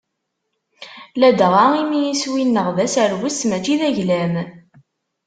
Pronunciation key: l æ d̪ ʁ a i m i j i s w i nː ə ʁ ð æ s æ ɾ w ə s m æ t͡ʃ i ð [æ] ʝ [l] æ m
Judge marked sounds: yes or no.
yes, yes

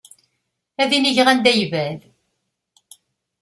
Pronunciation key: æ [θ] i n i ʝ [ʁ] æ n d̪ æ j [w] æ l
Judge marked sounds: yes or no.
no, yes, no

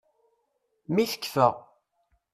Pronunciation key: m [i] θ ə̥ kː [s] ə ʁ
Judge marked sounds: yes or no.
yes, no

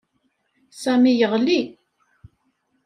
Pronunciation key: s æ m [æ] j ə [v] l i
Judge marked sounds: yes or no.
no, no

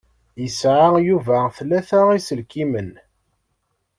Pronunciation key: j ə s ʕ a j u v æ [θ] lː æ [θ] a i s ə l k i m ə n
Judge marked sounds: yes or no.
yes, yes

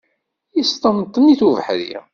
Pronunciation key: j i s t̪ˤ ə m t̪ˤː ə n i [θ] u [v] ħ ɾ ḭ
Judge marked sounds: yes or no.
yes, yes

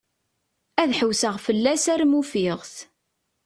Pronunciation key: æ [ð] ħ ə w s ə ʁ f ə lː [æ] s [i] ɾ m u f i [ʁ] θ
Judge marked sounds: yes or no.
yes, yes, no, yes

